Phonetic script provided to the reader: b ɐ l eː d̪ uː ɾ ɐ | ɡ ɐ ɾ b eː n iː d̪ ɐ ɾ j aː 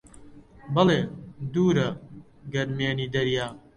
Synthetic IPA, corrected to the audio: b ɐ l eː d̪ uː ɾ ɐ | ɡ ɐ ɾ m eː n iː d̪ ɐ ɾ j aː